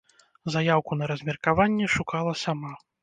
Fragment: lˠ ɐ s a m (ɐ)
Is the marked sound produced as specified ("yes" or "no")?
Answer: no